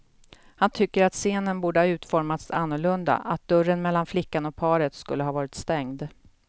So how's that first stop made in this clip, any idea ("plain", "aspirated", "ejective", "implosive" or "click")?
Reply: aspirated